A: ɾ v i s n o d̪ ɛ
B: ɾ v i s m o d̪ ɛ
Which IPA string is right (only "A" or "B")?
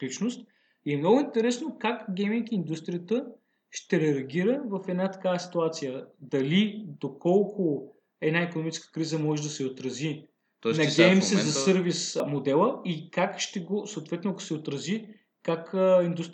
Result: B